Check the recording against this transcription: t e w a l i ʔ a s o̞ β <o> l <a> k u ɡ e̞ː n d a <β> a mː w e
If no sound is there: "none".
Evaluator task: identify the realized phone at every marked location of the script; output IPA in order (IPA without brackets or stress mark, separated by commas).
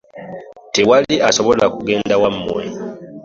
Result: o, a, w